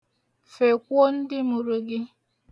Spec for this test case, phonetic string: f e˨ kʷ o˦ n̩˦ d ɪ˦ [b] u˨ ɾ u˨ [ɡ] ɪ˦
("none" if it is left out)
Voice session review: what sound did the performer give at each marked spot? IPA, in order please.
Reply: m, ɡ

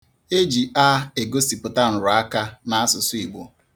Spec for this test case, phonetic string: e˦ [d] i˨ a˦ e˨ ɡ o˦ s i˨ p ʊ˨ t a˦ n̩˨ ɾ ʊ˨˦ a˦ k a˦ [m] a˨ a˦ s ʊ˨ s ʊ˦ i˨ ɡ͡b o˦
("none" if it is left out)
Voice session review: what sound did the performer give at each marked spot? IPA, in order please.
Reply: d͡ʒ, n

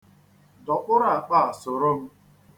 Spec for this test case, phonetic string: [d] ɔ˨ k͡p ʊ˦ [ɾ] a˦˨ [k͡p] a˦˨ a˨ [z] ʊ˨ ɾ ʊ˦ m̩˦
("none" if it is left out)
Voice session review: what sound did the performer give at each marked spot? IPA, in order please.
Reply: d, ɾ, k͡p, s

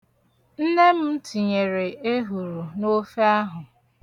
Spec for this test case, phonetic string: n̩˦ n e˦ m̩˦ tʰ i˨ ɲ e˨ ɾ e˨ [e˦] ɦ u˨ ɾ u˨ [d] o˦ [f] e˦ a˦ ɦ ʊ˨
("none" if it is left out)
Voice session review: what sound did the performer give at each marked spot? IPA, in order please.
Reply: e˦, n, f

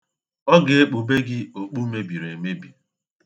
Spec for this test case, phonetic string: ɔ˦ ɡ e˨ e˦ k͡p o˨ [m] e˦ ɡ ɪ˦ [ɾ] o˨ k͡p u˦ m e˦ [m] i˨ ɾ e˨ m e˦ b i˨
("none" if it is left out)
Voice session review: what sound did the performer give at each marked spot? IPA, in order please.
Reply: b, none, b

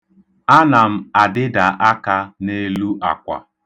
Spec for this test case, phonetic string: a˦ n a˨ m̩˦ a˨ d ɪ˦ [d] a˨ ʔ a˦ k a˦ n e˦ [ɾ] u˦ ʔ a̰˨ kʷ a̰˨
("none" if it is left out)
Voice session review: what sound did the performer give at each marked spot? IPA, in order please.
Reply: d, l

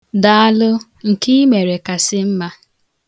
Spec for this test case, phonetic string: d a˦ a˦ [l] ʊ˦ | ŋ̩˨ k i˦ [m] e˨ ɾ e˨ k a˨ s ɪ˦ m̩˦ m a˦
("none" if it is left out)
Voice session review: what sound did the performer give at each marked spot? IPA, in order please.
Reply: l, m

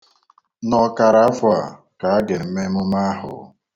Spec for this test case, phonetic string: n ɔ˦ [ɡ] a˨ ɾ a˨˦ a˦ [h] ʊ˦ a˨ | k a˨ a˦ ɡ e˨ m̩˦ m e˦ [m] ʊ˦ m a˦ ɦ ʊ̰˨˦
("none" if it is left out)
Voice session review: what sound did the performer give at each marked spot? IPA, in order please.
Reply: k, f, m

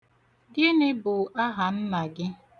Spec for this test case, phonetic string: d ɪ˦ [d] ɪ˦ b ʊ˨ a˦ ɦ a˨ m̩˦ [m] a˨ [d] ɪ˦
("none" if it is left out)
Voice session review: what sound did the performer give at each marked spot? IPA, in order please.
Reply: n, m, ɡ

